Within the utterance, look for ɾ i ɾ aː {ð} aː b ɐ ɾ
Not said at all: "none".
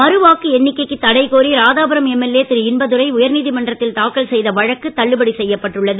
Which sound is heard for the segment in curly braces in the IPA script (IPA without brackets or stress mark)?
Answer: ð